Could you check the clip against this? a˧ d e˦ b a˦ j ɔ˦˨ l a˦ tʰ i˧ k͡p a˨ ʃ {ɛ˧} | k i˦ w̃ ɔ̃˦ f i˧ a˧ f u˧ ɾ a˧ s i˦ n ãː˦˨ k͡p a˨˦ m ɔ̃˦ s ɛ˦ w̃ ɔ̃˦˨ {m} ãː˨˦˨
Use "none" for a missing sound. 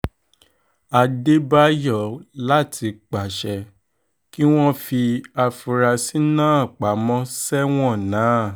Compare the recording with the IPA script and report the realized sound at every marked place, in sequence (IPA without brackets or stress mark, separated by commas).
ɛ˧, n